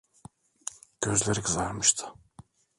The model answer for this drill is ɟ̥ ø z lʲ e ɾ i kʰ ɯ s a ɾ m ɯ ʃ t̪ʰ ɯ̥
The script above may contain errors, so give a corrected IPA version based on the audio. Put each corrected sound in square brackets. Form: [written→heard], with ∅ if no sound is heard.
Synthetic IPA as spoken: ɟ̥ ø z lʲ e ɾ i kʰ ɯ [s→z] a ɾ m ɯ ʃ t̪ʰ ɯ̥